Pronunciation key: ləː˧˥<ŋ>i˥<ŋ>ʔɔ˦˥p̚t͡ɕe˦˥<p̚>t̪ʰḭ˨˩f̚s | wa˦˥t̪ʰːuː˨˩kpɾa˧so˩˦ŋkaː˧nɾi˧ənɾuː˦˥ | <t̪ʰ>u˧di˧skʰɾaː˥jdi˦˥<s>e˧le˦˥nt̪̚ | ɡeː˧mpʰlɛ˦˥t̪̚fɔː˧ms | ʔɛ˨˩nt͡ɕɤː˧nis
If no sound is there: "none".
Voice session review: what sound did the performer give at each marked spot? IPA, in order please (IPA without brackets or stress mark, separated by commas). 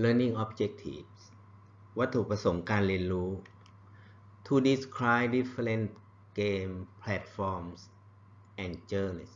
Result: n, ŋ, k̚, t̪ʰ, f